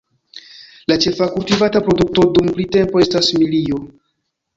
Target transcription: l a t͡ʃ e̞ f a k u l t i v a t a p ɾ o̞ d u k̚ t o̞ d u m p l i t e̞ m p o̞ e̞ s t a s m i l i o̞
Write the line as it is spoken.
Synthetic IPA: l a t͡ʃ e̞ f a k u l t i v a t a p ɾ o̞ d u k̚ t o̞ d u m p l i t e̞ m p o̞ e̞ s t a s m i l i o̞